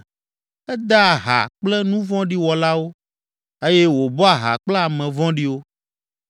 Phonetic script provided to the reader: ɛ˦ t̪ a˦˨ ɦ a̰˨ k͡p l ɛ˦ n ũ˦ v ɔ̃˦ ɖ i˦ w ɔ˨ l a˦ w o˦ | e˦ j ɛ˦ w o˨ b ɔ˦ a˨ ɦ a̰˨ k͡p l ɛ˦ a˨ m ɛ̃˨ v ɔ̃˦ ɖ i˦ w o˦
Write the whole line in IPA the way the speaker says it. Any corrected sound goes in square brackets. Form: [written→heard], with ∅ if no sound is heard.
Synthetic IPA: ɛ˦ [t̪→d̪] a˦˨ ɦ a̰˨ k͡p l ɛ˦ n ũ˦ v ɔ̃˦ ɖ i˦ w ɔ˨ l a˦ w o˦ | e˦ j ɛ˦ w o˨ b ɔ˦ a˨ ɦ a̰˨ k͡p l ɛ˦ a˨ m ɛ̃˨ v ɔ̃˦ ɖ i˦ w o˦

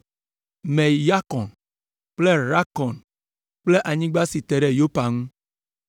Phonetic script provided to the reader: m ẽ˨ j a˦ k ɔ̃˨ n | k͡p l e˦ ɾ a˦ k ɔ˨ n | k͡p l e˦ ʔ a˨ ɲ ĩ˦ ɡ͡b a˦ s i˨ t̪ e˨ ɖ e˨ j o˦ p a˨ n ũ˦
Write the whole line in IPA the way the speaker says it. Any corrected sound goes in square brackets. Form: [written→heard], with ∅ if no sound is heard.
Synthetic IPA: m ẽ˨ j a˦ k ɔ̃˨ n | k͡p l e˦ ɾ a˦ k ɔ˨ n | k͡p l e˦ ʔ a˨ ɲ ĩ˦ ɡ͡b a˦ s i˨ t̪ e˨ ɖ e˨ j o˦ p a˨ [n→ŋ] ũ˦

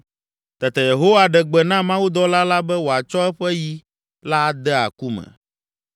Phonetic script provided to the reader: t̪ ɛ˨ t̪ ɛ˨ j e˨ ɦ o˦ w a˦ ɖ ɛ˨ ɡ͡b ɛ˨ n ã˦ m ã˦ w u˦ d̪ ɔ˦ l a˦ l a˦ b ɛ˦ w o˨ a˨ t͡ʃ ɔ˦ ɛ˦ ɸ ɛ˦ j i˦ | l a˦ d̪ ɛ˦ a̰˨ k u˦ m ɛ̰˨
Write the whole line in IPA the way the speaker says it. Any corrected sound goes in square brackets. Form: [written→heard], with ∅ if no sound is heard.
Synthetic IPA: t̪ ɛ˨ t̪ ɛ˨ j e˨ ɦ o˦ w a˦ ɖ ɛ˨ ɡ͡b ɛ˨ n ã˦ m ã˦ w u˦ d̪ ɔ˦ l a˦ l a˦ b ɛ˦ w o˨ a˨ t͡ʃ ɔ˦ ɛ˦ ɸ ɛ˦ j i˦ | l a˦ d̪ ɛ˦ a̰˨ k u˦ m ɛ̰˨

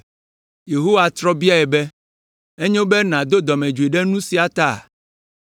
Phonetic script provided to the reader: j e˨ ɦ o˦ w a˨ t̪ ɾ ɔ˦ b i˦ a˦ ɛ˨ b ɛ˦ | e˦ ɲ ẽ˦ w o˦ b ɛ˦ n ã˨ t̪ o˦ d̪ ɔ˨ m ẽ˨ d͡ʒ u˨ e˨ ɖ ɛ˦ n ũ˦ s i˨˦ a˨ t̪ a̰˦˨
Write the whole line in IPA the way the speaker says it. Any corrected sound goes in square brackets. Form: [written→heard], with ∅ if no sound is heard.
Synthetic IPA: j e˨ ɦ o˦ w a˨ t̪ ɾ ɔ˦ b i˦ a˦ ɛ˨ b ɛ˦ | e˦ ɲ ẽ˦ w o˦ b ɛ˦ n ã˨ [t̪→d̪] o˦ d̪ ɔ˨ m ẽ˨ d͡ʒ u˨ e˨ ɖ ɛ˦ n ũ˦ s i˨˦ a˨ t̪ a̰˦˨

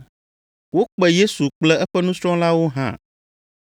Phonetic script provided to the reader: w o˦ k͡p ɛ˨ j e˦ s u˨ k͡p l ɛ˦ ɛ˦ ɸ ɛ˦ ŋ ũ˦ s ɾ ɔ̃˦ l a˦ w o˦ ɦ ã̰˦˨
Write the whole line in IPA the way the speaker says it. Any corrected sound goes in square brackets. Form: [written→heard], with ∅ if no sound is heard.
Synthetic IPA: w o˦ k͡p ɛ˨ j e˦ s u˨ k͡p l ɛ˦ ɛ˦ ɸ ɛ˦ [ŋ→n] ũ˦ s ɾ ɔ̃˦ l a˦ w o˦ ɦ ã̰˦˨

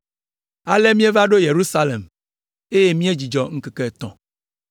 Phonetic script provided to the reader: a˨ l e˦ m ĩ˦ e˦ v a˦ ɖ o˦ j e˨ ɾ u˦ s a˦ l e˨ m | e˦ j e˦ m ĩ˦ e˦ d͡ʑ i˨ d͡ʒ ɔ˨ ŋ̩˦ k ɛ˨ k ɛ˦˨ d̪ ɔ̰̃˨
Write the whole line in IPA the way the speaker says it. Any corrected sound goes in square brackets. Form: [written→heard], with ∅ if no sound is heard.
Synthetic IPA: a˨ l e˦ m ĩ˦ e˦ v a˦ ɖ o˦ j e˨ ɾ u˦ s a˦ l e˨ m | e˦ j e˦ m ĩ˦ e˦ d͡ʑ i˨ d͡ʒ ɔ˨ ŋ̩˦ k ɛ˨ k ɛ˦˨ [d̪→t̪] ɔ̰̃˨

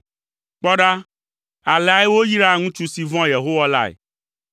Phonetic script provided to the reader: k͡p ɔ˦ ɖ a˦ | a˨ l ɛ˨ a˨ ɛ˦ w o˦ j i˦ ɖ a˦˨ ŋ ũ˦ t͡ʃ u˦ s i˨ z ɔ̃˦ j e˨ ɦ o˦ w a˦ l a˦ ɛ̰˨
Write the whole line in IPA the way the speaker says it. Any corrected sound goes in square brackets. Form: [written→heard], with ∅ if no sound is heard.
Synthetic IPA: k͡p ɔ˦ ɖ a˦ | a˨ l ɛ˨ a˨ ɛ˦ w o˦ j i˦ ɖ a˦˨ ŋ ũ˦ t͡ʃ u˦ s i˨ [z→v] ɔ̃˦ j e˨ ɦ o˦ w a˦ l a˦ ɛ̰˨

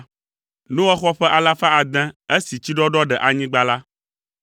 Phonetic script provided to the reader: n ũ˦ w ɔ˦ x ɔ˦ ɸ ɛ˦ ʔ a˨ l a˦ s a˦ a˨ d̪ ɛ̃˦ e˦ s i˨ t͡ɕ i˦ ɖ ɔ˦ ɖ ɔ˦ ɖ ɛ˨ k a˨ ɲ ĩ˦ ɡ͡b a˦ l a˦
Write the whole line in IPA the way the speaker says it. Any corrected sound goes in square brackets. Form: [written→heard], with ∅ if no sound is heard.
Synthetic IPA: n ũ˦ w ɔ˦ x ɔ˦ ɸ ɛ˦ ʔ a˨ l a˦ [s→f] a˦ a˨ d̪ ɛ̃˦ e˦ s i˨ t͡ɕ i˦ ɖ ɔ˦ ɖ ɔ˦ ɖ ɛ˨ [k→ʔ] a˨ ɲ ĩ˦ ɡ͡b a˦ l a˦

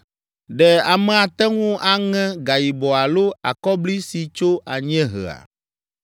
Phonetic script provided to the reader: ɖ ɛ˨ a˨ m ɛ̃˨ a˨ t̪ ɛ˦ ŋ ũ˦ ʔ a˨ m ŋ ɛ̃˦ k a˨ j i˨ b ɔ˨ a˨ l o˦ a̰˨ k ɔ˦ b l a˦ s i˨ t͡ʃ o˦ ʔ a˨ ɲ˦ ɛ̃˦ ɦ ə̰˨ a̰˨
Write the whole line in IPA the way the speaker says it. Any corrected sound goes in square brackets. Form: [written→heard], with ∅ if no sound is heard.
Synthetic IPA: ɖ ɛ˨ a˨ m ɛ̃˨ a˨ t̪ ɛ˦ ŋ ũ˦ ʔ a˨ [m→∅] ŋ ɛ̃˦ [k→ɡ] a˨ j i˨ b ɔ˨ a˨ l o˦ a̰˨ k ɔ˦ b l [a˦→i˦] s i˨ t͡ʃ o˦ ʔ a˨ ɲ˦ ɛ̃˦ ɦ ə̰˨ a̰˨

